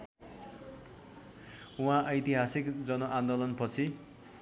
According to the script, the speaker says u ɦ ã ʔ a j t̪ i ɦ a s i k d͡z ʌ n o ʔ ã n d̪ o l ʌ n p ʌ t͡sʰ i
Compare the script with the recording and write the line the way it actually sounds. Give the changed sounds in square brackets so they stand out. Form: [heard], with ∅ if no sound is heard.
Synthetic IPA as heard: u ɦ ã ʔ [ʌ] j t̪ i ɦ a s i k d͡z ʌ n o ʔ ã n d̪ o l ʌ n p ʌ t͡sʰ i